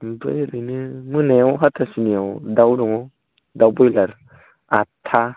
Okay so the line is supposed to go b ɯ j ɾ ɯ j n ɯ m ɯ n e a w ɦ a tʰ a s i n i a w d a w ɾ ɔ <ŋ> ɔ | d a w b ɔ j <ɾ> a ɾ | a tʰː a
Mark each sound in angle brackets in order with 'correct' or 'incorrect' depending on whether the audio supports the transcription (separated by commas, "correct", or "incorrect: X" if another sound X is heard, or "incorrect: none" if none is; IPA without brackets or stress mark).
correct, incorrect: l